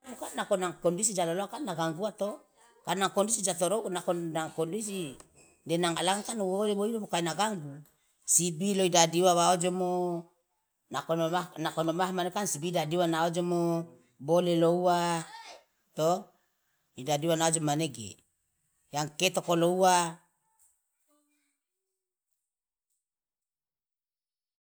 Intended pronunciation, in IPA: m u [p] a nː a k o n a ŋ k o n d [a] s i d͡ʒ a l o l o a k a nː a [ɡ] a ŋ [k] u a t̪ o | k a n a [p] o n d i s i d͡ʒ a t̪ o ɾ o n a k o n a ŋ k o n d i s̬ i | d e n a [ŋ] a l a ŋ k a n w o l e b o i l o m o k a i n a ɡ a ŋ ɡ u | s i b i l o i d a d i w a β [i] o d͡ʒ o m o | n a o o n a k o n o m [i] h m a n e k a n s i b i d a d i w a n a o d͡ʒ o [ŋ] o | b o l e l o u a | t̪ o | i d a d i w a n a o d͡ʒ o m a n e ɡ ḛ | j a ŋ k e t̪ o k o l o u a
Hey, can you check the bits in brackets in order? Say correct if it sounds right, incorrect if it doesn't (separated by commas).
incorrect, incorrect, correct, incorrect, incorrect, correct, incorrect, incorrect, incorrect